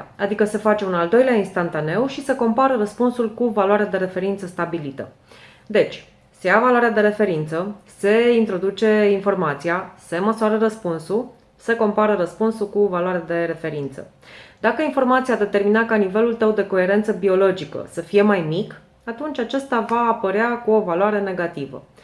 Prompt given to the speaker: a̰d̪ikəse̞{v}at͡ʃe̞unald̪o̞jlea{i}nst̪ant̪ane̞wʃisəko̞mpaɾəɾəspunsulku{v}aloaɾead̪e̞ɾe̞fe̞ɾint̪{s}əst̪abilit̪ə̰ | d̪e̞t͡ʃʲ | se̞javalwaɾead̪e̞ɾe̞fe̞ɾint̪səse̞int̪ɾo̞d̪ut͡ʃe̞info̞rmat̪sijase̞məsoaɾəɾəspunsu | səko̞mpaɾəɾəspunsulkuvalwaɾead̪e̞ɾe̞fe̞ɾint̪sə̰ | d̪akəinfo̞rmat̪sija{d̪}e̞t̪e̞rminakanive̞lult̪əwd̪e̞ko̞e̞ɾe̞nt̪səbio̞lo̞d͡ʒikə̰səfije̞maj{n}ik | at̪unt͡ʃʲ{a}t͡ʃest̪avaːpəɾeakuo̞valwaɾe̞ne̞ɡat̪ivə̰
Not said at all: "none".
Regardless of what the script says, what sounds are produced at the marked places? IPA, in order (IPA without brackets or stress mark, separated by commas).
f, i, v, s, d̪, m, a